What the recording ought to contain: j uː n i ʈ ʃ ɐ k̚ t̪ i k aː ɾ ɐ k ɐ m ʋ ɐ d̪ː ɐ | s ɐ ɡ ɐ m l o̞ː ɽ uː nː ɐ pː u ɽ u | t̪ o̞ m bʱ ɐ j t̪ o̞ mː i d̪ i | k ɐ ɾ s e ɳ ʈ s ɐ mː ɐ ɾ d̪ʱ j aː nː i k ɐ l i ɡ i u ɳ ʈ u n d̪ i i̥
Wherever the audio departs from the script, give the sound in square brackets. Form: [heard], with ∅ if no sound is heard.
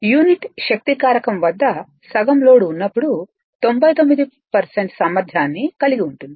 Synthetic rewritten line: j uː n i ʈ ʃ ɐ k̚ t̪ i k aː ɾ ɐ k ɐ m ʋ ɐ d̪ː ɐ | s ɐ ɡ ɐ m l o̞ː ɽ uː nː ɐ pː u ɽ u | t̪ o̞ m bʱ ɐ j t̪ o̞ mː i d̪ i | [p] ɐ ɾ s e ɳ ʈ s ɐ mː ɐ ɾ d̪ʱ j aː nː i k ɐ l i ɡ i u ɳ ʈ u n d̪ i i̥

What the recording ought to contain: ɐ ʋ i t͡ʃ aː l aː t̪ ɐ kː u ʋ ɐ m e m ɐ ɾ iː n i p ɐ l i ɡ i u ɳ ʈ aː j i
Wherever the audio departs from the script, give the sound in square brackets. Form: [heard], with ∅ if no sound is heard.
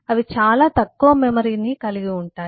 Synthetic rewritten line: ɐ ʋ i t͡ʃ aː l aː t̪ ɐ kː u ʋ ɐ m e m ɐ ɾ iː n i [k] ɐ l i ɡ i u ɳ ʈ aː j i

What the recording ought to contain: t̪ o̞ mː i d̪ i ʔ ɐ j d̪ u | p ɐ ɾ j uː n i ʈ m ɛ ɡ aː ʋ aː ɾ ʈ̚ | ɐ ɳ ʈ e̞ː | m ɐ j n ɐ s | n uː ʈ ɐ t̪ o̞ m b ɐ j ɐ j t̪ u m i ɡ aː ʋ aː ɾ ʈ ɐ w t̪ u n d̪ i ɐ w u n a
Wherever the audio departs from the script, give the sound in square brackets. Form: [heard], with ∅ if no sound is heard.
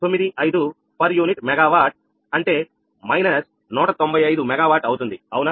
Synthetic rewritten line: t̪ o̞ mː i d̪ i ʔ ɐ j d̪ u | p ɐ ɾ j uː n i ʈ m ɛ ɡ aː ʋ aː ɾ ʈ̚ | ɐ ɳ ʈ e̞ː | m ɐ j n ɐ s | n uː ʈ ɐ t̪ o̞ m b ɐ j ɐ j [d̪] u m [ɛ] ɡ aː ʋ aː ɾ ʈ ɐ w t̪ u n d̪ i ɐ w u n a

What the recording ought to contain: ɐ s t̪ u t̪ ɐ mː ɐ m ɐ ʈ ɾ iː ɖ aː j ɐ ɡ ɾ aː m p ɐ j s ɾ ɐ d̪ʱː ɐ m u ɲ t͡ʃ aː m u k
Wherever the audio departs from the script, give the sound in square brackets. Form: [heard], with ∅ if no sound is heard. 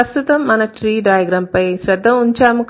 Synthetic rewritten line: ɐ s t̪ u t̪ ɐ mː ɐ [n] ɐ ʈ ɾ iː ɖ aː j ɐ ɡ ɾ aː m p ɐ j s ɾ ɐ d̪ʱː ɐ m u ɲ t͡ʃ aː m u k

